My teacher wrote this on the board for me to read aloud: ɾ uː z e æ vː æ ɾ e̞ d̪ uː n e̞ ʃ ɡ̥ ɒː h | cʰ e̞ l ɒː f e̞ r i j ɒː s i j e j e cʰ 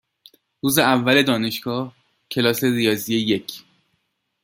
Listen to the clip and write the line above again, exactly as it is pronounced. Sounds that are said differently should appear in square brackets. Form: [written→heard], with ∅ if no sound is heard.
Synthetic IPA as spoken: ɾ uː z e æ vː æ [ɾ→l] e̞ d̪ [uː→ɒː] n e̞ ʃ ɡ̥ ɒː h | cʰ e̞ l ɒː [f→s] e̞ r i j ɒː [s→z] i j e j e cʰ